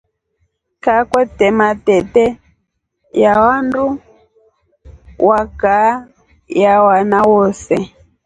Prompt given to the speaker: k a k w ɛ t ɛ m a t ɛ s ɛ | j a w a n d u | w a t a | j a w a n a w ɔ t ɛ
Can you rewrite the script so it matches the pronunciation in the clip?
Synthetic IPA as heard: k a k w ɛ t ɛ m a t ɛ t ɛ | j a w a n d u | w a k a | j a w a n a w ɔ s ɛ